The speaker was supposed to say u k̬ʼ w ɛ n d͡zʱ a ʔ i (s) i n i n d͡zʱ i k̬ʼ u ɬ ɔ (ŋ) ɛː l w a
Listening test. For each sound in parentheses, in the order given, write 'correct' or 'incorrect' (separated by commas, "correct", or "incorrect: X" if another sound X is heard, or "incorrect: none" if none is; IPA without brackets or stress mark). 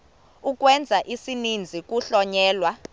correct, incorrect: ɲ